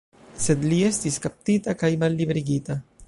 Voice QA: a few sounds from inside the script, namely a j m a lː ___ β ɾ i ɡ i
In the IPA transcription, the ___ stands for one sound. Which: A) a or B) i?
B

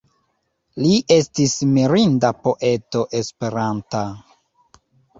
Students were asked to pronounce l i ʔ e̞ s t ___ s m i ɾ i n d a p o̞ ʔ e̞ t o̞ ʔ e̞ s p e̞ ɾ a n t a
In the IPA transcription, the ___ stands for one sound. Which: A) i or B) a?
A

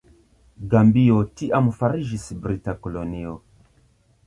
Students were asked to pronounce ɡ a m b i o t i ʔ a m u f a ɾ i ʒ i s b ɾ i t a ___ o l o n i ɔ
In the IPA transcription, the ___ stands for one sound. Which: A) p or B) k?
B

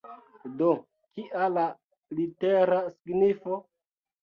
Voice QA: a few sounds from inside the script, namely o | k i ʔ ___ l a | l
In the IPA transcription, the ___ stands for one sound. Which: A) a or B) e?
A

